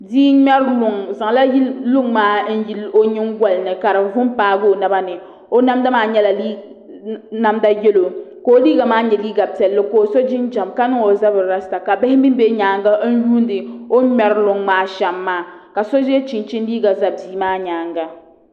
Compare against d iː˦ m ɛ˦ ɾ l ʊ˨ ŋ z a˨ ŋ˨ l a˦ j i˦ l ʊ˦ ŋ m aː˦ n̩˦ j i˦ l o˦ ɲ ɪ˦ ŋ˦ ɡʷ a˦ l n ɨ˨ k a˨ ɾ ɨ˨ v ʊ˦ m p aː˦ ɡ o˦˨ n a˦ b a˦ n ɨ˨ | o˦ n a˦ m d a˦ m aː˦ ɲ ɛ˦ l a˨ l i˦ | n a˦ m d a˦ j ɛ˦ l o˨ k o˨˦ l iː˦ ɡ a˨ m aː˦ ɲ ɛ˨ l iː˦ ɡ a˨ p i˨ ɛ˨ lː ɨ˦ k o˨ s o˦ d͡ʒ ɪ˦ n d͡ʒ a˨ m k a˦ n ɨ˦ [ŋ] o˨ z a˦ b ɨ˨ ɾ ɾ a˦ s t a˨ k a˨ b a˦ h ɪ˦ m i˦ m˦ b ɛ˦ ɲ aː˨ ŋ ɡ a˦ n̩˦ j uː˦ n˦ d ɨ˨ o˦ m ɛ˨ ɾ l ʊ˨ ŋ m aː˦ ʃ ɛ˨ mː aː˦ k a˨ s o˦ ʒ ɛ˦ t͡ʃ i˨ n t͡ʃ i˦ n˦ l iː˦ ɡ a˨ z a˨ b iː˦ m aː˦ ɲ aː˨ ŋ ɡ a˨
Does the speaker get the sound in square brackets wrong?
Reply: no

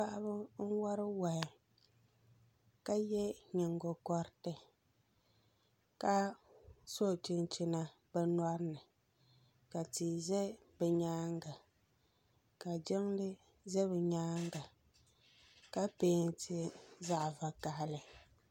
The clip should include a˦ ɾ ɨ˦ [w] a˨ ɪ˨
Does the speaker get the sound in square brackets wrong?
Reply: no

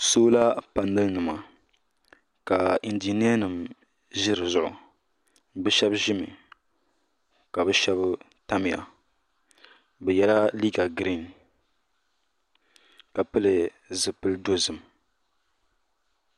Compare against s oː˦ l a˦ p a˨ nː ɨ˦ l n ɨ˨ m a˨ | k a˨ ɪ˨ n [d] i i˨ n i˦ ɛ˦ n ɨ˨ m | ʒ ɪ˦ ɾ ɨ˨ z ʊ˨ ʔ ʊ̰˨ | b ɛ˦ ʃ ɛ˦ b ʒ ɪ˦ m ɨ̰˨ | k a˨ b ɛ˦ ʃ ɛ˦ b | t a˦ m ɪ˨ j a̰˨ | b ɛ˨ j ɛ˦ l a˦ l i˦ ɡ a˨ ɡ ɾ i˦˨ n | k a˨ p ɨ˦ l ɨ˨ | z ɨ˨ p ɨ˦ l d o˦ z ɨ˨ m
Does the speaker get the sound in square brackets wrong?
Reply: no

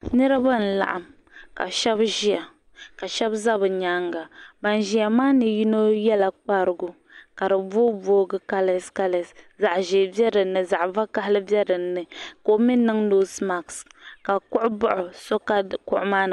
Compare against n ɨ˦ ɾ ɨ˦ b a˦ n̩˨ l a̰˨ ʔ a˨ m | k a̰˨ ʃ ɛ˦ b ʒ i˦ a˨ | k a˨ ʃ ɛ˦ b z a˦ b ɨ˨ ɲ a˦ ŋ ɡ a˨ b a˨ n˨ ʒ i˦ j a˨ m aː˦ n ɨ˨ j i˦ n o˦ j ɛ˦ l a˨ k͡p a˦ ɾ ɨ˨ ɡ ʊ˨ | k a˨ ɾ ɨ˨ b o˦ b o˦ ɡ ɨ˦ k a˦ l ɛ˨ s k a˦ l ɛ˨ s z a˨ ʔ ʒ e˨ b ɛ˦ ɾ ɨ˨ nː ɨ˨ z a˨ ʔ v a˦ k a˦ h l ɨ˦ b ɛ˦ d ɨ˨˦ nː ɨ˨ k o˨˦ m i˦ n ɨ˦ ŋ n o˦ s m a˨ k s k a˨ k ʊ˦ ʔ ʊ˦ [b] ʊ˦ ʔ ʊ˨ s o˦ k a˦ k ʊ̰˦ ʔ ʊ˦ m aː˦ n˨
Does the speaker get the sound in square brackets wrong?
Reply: no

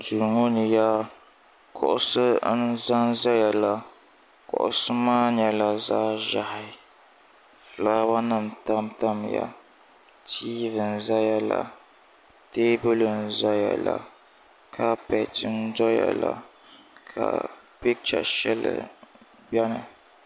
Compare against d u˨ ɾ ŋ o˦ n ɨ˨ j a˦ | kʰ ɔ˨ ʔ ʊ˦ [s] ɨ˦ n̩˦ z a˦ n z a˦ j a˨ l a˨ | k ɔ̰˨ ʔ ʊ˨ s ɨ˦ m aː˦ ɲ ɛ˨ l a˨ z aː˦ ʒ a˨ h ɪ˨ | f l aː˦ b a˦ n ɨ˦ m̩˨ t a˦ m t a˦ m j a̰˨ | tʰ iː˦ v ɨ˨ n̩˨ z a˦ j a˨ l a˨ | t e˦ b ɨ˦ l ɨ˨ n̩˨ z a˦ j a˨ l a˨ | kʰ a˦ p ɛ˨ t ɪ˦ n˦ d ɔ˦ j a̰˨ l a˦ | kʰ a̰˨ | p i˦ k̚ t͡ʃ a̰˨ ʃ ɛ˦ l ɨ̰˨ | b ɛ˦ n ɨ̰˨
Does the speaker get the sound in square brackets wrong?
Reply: no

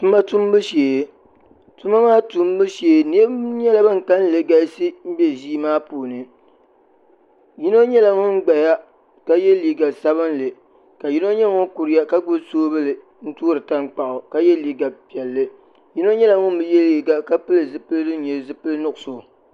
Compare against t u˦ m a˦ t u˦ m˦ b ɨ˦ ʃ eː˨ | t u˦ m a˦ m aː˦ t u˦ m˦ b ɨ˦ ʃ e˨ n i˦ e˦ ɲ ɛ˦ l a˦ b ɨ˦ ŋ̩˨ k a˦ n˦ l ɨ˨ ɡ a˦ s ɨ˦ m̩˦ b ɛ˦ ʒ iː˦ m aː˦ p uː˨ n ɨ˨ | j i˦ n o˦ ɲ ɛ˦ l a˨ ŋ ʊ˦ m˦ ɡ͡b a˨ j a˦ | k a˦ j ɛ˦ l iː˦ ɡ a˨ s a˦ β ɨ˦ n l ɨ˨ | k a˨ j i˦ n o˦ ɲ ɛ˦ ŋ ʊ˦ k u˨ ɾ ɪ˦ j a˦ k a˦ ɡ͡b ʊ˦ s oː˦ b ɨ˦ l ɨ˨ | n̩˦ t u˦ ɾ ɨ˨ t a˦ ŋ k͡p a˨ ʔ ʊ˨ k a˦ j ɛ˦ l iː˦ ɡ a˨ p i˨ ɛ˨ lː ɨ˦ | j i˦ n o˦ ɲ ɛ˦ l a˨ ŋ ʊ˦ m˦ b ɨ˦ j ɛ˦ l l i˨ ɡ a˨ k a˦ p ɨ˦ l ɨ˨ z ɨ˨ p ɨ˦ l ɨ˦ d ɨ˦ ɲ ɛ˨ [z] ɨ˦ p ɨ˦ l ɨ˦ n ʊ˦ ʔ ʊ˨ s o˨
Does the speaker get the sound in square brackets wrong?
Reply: no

